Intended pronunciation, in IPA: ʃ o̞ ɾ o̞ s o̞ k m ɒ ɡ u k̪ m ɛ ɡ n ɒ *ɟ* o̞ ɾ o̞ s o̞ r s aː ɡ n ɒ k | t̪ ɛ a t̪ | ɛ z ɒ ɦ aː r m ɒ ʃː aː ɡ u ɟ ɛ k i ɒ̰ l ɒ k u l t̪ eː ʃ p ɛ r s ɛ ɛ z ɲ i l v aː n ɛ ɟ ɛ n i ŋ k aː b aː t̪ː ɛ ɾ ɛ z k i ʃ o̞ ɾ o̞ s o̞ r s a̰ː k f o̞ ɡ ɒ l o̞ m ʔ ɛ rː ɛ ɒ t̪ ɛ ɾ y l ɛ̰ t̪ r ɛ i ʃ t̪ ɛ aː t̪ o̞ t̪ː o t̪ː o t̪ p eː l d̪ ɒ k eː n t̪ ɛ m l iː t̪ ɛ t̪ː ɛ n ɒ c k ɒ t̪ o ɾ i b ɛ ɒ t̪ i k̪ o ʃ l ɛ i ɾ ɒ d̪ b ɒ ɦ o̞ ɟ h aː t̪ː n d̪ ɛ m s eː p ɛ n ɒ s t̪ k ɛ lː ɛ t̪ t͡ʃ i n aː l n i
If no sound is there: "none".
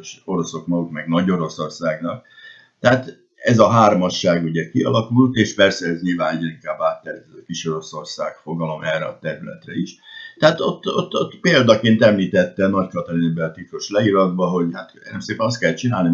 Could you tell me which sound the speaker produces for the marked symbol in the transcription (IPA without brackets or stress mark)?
ɟ